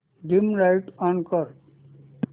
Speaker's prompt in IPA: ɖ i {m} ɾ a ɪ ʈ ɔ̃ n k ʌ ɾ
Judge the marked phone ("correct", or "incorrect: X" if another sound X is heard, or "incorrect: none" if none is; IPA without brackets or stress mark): correct